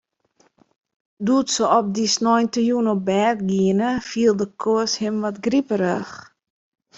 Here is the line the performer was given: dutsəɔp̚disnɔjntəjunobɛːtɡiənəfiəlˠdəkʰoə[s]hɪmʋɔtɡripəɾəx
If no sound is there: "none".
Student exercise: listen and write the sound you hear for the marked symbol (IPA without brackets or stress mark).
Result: s